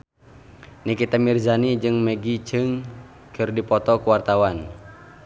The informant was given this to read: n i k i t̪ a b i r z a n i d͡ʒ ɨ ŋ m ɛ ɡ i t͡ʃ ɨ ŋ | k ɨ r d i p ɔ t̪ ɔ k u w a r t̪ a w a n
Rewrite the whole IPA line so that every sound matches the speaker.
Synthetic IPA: n i k i t̪ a m i r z a n i d͡ʒ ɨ ŋ m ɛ ɡ i t͡ʃ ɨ ŋ | k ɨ r d i p ɔ t̪ ɔ k u w a r t̪ a w a n